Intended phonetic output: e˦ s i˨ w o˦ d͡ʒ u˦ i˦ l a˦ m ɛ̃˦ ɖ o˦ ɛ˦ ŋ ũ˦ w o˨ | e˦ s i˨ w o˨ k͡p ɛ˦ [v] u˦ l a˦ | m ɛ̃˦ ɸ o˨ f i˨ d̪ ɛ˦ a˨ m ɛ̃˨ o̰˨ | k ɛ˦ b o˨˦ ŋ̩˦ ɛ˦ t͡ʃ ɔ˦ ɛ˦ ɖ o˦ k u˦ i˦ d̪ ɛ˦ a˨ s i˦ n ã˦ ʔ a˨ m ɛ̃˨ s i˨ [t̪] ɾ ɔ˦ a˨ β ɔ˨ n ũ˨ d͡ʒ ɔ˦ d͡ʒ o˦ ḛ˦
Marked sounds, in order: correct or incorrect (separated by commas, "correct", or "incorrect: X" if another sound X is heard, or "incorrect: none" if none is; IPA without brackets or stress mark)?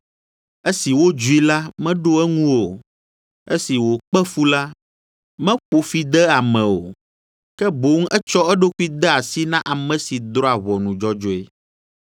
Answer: incorrect: f, incorrect: d̪